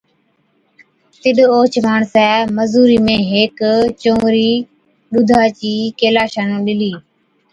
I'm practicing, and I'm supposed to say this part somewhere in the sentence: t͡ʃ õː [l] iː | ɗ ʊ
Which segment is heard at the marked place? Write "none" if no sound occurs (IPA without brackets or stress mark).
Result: ɾ